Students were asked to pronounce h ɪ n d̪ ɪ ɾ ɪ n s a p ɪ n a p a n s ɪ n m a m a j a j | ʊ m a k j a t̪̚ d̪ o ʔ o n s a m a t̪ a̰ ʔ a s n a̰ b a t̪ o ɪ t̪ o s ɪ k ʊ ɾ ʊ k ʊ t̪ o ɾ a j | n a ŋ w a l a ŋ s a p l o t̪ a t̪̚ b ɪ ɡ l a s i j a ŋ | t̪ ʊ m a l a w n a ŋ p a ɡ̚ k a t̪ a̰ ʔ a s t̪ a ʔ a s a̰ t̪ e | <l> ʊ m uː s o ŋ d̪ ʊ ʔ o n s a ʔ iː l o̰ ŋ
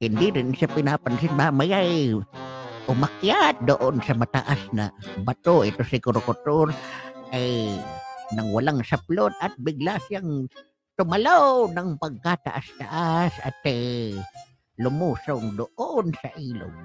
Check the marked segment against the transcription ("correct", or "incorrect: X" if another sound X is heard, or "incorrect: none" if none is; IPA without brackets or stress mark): correct